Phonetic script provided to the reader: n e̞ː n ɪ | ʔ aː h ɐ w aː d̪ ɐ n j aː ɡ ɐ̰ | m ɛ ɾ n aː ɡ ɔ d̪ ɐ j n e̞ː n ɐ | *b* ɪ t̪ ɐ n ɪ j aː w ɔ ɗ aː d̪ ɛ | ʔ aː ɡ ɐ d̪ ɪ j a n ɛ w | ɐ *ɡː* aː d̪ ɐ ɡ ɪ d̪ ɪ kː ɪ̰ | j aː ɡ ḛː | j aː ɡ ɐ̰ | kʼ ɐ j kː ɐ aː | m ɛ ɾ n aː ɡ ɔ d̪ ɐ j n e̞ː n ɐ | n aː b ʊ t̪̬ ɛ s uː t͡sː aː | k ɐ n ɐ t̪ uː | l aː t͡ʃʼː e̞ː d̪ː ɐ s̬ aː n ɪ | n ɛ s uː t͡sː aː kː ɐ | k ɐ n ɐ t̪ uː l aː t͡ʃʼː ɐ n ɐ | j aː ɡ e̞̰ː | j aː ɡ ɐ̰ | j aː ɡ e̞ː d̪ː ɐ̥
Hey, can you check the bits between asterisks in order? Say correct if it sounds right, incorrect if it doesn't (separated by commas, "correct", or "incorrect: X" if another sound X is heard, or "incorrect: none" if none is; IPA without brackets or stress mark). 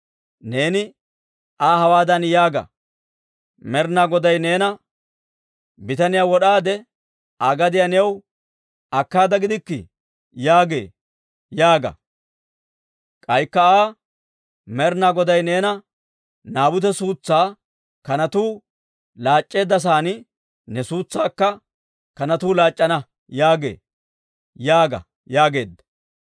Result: correct, incorrect: kː